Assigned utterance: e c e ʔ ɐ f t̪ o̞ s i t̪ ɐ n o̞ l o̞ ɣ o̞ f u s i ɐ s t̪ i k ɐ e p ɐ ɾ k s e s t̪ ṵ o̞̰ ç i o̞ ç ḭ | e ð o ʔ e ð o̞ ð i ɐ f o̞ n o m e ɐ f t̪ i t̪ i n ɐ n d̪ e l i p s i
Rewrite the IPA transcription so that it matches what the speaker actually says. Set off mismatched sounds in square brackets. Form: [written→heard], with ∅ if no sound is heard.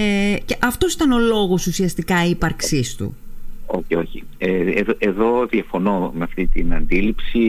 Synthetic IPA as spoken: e c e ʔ ɐ f t̪ o̞ s i t̪ ɐ n o̞ l o̞ ɣ o̞ [f→s] u s i ɐ s t̪ i k ɐ [e→i] p ɐ ɾ k s [e→i] s t̪ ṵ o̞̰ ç i o̞ ç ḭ | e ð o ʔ e ð o̞ ð i ɐ f o̞ n o m e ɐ f t̪ i t̪ i n ɐ n d̪ [e→i] l i p s i